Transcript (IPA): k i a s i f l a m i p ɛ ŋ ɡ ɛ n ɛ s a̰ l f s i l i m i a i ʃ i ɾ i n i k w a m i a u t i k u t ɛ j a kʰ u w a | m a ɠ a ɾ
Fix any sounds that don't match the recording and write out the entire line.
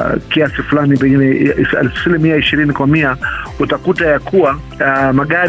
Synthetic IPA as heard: k i a s i f l a n i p ɛ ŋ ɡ i n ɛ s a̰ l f s i l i m i a i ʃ i ɾ i n i k w a m i a u t a k u t a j a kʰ u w a | m a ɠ a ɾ